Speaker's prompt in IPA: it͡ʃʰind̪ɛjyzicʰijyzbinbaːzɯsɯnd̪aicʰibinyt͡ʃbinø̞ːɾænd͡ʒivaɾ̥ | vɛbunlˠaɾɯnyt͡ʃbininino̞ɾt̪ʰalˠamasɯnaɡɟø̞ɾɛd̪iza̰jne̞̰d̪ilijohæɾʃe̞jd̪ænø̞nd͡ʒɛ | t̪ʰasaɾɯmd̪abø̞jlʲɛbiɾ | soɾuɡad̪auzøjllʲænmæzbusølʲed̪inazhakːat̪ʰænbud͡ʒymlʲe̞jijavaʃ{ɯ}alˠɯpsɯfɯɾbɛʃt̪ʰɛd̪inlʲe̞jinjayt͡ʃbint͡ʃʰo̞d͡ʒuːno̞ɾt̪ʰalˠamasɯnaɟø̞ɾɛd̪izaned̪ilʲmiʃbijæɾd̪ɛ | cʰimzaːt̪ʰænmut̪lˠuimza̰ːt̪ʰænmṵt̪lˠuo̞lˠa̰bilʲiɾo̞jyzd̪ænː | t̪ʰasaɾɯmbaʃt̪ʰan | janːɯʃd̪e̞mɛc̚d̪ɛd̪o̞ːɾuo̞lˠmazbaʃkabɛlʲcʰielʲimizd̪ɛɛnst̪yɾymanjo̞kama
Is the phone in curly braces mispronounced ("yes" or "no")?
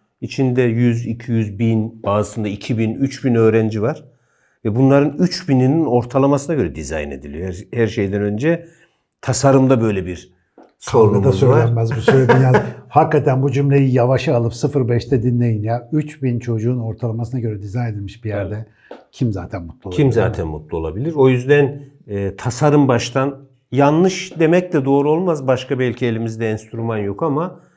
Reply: no